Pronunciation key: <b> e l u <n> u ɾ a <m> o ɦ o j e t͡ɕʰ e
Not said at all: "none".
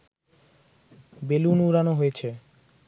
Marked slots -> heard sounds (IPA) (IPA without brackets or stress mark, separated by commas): b, n, n